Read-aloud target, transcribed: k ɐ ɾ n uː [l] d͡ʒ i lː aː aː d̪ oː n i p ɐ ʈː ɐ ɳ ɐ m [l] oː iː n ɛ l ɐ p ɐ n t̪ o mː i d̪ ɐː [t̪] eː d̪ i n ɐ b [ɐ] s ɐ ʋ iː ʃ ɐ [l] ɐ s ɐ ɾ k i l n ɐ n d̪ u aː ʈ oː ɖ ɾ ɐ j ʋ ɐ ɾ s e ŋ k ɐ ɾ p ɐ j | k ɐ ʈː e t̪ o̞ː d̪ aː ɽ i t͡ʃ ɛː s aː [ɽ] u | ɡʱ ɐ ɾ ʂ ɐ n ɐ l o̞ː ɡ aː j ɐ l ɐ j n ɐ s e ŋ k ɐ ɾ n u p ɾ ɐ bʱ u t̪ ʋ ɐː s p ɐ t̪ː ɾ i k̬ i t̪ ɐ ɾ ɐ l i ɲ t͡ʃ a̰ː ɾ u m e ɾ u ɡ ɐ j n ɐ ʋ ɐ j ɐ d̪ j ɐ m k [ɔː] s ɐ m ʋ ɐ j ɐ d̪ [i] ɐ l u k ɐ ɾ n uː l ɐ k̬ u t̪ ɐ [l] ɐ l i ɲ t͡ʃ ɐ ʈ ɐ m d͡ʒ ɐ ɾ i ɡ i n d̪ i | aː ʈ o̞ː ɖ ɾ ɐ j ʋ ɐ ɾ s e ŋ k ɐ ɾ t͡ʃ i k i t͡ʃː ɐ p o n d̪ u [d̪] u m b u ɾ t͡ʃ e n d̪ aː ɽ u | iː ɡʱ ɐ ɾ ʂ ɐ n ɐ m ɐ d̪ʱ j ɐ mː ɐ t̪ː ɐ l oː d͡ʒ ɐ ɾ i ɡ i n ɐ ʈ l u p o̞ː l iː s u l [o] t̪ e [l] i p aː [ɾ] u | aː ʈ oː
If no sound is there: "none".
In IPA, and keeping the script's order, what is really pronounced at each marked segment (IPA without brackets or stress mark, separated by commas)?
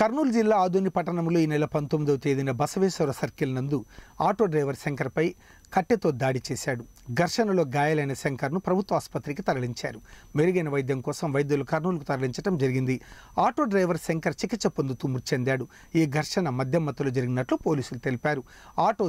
l, l, t̪, ɐ, ɾ, ɽ, ɔː, j, ɾ, t̪, u, l, ɾ